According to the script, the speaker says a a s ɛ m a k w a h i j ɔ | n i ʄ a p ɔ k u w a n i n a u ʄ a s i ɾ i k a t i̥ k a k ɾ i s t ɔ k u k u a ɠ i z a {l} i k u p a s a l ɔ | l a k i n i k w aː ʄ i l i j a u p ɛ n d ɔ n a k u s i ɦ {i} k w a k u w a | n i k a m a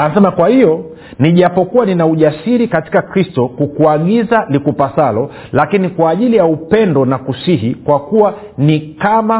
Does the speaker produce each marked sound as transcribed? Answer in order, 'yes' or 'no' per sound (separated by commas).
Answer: yes, yes